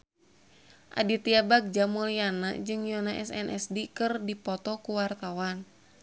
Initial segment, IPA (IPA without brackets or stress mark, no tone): ʔ